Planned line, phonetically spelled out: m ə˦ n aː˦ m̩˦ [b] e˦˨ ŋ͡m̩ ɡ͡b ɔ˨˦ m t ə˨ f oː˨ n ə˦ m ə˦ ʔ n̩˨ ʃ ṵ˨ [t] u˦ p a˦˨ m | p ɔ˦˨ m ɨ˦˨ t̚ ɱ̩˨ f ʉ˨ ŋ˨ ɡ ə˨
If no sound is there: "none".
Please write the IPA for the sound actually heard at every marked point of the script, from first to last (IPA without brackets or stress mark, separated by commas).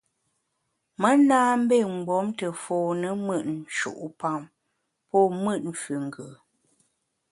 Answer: b, ʔ